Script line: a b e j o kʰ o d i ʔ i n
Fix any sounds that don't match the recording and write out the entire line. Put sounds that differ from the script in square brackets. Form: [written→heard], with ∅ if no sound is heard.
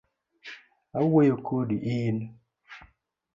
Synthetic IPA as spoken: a [b→w] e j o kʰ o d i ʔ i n